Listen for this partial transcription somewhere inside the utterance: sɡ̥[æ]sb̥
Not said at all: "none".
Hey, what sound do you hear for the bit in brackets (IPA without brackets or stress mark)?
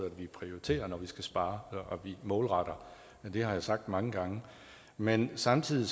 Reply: æ